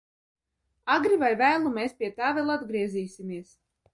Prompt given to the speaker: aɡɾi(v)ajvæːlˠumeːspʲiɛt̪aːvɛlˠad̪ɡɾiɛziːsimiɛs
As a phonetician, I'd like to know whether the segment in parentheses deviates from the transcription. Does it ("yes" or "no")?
no